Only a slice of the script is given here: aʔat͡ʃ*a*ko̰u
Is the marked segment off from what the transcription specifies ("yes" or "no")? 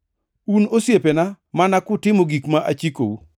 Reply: yes